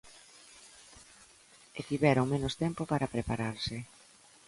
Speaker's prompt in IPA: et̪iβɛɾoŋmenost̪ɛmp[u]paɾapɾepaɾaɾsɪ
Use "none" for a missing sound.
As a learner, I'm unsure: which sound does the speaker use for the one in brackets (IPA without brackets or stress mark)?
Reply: o